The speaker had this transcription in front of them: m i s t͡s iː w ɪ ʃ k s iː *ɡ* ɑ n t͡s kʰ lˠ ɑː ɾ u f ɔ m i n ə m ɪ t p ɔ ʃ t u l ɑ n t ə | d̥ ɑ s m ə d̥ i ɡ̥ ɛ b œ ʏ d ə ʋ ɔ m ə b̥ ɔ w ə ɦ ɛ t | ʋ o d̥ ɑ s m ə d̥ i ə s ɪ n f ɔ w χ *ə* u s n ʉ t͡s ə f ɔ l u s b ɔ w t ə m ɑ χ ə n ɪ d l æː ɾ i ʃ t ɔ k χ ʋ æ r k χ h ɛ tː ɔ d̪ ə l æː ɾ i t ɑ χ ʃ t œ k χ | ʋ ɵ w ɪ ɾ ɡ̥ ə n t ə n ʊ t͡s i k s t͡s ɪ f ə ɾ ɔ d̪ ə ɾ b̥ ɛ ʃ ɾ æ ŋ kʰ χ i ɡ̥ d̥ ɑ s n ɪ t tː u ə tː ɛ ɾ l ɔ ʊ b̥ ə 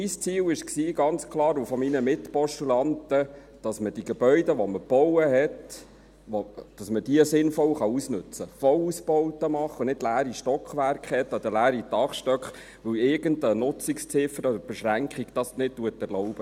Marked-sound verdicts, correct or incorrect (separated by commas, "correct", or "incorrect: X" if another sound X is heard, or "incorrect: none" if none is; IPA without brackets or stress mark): correct, incorrect: ɑ